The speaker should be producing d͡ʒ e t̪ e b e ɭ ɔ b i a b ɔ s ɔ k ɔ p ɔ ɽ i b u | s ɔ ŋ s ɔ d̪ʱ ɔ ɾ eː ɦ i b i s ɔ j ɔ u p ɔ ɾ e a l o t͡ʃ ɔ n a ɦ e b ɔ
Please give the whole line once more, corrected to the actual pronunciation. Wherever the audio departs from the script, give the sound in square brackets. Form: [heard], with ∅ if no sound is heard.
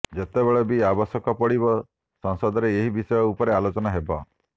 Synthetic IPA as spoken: d͡ʒ e t̪ e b e ɭ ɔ b i a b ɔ s ɔ k ɔ p ɔ ɽ i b [ɔ] | s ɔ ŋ s ɔ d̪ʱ ɔ ɾ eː ɦ i b i s ɔ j ɔ u p ɔ ɾ e a l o t͡ʃ ɔ n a ɦ e b ɔ